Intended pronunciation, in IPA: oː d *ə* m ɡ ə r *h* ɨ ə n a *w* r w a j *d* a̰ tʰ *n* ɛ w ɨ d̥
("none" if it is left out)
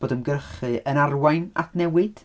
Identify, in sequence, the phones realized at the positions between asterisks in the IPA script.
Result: ə, χ, none, n, n

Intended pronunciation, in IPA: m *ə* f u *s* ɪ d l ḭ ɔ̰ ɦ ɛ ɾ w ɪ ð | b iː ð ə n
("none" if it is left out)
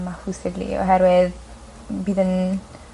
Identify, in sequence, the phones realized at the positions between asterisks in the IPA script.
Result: a, s

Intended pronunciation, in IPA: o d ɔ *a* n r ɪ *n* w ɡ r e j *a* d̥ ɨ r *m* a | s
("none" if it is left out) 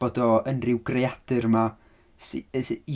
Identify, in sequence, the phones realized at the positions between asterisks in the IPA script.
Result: ə, none, a, m

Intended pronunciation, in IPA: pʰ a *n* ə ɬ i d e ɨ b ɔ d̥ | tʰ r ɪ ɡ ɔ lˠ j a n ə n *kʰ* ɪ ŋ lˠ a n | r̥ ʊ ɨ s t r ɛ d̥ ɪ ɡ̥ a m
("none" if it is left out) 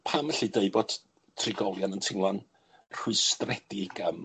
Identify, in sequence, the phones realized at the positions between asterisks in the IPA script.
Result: m, tʰ

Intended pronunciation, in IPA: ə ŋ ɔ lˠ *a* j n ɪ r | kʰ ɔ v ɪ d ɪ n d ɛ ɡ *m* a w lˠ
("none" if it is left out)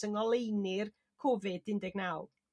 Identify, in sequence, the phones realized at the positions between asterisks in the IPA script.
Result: e, n

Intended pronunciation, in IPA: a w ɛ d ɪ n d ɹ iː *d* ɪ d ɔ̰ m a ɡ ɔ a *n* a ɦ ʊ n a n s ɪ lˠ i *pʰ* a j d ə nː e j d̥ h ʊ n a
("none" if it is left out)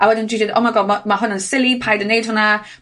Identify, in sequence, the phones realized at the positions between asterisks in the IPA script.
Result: d, m, pʰ

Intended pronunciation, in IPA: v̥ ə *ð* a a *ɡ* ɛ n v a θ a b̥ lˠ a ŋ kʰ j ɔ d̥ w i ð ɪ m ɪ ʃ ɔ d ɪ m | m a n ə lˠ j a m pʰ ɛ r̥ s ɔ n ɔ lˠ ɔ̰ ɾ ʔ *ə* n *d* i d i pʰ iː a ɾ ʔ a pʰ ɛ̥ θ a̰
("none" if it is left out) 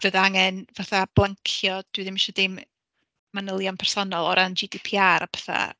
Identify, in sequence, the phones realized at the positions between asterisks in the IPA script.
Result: ð, ŋ, a, d͡ʒ

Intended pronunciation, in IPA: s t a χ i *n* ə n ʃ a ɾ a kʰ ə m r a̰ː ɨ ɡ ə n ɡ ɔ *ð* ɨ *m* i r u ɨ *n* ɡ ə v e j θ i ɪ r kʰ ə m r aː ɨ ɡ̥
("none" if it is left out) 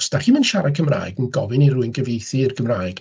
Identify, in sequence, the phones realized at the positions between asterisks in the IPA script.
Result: m, v, n, n

